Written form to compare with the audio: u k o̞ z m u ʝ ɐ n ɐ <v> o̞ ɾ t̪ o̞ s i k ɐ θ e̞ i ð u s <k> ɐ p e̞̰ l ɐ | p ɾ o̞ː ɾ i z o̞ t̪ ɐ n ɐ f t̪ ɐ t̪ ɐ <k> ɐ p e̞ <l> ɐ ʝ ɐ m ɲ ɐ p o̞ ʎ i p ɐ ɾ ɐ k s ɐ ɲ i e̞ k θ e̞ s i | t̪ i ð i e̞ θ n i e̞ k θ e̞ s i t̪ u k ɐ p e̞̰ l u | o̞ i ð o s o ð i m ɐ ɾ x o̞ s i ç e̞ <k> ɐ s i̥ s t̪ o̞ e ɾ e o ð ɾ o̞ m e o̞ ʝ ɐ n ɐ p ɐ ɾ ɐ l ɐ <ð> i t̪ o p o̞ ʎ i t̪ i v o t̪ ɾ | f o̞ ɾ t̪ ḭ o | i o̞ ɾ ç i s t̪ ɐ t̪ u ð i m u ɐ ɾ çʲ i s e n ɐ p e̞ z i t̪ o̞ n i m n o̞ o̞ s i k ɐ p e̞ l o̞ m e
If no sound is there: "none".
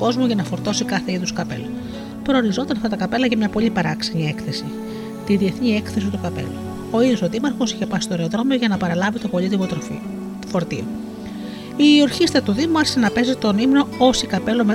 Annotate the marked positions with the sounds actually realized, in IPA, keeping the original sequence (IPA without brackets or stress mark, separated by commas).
f, k, k, l, p, v